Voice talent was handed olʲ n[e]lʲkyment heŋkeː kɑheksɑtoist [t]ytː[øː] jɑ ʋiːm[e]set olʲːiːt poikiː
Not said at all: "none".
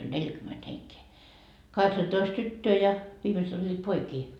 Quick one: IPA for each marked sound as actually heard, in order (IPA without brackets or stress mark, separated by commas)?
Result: e, t, øː, e